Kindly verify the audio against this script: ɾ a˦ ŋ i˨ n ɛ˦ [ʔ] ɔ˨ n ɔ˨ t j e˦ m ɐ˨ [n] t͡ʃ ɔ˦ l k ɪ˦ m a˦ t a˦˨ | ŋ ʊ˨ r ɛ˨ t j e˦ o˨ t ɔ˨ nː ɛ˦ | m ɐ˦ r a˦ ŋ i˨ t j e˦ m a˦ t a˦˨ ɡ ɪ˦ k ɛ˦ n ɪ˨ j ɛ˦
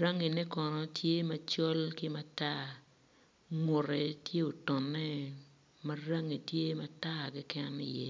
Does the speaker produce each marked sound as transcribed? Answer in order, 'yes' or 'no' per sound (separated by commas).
no, no